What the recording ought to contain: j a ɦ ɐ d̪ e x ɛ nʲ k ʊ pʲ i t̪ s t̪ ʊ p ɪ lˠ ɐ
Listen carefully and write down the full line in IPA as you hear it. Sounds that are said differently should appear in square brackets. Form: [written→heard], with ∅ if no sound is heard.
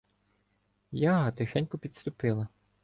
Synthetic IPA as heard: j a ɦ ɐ [d̪→t̪] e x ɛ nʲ k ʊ pʲ i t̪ s t̪ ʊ p ɪ lˠ ɐ